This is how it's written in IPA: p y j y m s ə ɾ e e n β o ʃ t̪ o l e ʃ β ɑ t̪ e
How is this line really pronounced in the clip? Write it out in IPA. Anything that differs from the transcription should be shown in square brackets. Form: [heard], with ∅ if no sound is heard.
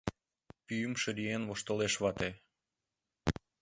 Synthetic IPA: p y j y m [ʃ] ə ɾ [i] e n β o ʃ t̪ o l e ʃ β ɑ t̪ e